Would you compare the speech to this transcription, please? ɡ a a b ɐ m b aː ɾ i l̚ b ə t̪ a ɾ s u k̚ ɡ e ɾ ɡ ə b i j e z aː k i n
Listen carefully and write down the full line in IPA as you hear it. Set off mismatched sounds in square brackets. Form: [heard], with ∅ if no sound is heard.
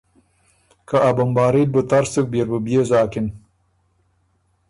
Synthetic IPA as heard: [k] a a b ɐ m b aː ɾ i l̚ b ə t̪ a ɾ s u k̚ [b] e ɾ [b] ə b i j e z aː k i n